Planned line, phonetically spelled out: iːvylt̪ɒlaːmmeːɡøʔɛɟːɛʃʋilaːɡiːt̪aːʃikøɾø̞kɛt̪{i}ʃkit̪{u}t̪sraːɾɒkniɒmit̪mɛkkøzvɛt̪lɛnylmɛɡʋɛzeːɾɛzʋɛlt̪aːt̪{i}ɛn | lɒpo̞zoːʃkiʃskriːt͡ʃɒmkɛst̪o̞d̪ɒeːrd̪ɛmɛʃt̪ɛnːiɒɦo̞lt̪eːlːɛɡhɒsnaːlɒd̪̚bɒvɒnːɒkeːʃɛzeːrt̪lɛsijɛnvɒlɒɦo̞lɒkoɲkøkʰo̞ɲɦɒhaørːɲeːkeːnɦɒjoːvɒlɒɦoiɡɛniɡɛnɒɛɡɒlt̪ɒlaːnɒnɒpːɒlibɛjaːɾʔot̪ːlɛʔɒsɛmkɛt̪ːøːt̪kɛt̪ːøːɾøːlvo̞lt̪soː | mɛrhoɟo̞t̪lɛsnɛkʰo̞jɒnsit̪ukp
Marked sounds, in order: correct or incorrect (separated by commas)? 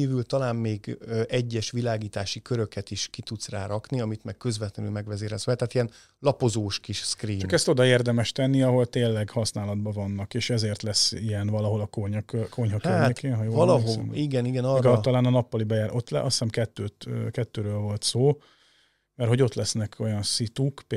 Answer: correct, correct, correct